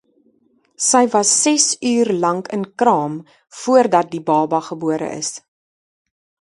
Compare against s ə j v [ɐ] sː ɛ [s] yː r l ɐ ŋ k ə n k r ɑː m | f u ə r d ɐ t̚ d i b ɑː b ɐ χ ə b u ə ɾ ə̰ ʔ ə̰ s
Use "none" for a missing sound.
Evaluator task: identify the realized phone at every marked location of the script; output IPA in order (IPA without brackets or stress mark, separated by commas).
ɐ, s